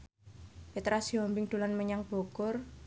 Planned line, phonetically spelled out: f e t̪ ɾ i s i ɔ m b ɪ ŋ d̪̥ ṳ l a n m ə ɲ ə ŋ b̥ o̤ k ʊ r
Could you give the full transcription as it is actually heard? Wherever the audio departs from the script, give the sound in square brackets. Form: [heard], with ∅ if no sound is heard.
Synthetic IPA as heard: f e t̪ ɾ [a] s i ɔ m b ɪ ŋ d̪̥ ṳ l a n m ə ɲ [a] ŋ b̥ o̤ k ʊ r

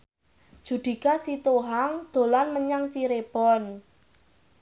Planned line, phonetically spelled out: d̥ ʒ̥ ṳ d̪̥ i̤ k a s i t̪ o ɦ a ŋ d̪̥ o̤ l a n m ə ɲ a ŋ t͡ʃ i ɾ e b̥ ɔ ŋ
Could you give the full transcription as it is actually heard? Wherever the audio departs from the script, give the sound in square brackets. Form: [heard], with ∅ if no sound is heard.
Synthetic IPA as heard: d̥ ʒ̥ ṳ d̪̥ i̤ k a s i t̪ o ɦ a ŋ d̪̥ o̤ l a n m ə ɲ a ŋ t͡ʃ i ɾ e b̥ ɔ [n]

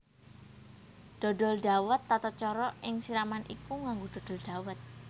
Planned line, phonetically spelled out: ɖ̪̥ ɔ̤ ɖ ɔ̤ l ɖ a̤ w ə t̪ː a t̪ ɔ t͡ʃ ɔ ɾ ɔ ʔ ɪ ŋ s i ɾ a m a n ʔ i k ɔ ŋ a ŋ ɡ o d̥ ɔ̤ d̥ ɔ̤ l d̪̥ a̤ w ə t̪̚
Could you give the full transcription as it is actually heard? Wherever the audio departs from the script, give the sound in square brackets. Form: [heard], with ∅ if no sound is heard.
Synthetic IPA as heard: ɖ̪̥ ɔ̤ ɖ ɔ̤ l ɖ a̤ w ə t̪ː a t̪ ɔ t͡ʃ ɔ ɾ ɔ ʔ ɪ ŋ s i ɾ a m a n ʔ i k [u] ŋ a ŋ ɡ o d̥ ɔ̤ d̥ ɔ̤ l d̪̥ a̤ w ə t̪̚

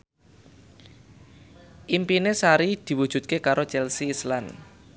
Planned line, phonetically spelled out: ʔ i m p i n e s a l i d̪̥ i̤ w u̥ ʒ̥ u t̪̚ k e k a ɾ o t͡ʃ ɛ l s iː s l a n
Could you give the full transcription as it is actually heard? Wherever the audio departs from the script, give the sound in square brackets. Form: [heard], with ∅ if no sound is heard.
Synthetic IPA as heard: ʔ i m p i n e s a [ɾ] i d̪̥ i̤ w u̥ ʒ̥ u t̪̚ k e k a ɾ o t͡ʃ ɛ l s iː s l a n

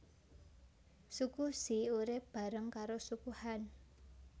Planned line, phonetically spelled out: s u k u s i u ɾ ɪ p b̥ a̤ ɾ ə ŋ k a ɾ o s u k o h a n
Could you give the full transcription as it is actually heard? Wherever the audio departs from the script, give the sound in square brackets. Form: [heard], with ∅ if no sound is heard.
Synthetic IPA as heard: s u k u s i u ɾ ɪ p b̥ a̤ ɾ ə ŋ k a ɾ o s u k [u] h a n

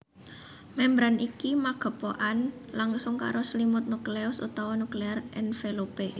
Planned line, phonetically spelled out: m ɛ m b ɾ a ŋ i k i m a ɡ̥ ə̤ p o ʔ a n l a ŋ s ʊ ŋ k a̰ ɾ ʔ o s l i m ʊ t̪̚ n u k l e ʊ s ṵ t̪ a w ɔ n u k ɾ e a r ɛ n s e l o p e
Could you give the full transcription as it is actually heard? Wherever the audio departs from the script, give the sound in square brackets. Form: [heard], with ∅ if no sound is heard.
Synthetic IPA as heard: m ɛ m b ɾ a [n] i k i m a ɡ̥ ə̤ p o ʔ a n l a ŋ s ʊ ŋ k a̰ ɾ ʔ o s l i m ʊ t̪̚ n u k l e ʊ s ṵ t̪ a w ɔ n u k [l] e a r ɛ n [f] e l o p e

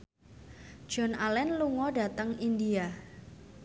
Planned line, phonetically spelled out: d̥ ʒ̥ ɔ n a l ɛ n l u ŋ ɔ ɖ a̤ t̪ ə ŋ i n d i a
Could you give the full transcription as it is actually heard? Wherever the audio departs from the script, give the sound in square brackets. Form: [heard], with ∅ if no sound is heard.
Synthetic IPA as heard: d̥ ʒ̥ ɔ n a l ɛ n l u ŋ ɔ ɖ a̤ t̪ ə ŋ i n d i a

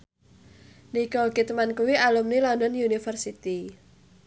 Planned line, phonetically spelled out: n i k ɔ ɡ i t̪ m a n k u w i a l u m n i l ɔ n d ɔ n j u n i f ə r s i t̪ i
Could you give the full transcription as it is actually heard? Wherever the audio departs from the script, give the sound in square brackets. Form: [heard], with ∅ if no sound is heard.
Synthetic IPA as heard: n i k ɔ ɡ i t̪ m a n k u w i a l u m n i l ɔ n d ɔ n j u n i f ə r s i t̪ i

